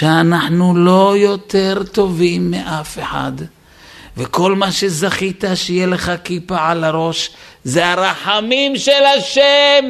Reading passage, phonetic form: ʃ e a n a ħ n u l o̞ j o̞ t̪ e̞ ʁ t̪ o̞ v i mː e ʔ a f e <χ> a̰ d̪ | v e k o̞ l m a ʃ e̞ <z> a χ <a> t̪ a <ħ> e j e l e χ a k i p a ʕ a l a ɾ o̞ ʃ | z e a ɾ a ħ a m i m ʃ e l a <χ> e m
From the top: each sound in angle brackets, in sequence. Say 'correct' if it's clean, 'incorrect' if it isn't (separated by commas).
incorrect, correct, incorrect, incorrect, incorrect